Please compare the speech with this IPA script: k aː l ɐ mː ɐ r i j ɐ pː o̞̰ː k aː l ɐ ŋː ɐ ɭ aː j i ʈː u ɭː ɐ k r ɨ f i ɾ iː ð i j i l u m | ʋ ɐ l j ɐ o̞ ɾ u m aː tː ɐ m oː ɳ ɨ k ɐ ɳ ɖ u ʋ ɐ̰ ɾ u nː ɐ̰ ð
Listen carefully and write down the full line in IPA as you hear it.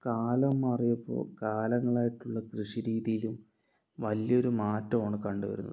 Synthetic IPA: k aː l ɐ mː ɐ r i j ɐ pː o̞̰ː k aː l ɐ ŋː ɐ ɭ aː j i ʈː u ɭː ɐ k r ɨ ʂ i ɾ iː ð i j i l u m | ʋ ɐ l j ɐ o̞ ɾ u m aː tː ɐ m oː ɳ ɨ k ɐ ɳ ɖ u ʋ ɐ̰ ɾ u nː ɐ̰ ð